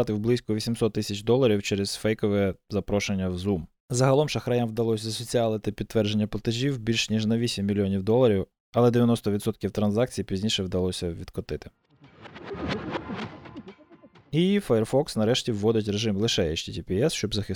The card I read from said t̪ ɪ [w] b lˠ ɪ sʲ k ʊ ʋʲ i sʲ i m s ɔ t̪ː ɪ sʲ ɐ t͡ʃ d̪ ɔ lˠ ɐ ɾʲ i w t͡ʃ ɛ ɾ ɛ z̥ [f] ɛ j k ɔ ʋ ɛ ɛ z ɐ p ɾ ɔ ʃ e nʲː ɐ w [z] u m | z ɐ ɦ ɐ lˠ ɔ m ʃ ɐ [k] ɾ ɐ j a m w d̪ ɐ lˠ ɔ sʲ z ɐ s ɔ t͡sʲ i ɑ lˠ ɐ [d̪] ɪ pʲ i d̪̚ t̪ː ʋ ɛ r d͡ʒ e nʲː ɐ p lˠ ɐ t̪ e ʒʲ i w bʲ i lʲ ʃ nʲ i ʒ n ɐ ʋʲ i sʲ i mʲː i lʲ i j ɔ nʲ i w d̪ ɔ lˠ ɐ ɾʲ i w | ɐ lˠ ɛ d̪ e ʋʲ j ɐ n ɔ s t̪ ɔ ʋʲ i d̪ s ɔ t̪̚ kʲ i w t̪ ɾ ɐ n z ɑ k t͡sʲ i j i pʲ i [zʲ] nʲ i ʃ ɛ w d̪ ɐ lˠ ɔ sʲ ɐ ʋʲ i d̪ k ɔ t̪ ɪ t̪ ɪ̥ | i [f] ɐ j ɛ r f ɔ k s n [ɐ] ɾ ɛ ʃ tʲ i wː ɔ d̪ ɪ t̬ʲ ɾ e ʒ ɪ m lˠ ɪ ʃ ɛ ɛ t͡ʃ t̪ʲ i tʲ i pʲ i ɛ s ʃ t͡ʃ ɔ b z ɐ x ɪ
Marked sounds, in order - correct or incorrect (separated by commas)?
correct, correct, correct, incorrect, incorrect, correct, correct, correct